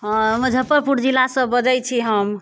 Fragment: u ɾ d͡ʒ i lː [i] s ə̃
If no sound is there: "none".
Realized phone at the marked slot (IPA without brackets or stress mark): a